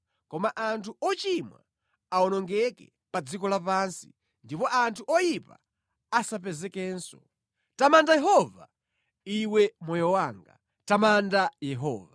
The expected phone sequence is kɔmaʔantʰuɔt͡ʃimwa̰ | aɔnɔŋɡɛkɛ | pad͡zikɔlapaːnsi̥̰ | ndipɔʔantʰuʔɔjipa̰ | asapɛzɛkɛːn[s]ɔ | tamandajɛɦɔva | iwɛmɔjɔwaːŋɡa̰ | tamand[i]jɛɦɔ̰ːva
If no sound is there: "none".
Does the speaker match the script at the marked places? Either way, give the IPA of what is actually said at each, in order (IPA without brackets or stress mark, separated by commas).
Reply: s, a